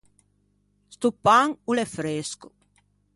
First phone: s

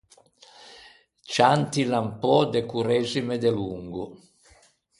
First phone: t͡ʃ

